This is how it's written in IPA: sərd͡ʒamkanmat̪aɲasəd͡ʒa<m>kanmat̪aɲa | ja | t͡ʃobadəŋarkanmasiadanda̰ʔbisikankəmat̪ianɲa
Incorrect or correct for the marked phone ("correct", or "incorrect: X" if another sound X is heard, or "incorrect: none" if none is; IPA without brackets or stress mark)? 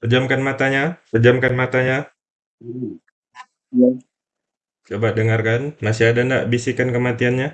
correct